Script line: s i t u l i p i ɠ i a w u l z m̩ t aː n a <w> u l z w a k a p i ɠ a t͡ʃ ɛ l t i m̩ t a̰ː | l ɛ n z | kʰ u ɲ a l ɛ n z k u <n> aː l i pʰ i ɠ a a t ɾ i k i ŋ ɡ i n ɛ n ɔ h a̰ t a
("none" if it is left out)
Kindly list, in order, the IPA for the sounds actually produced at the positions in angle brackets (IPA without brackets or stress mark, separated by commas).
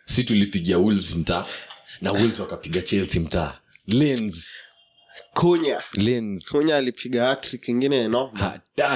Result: w, ɲ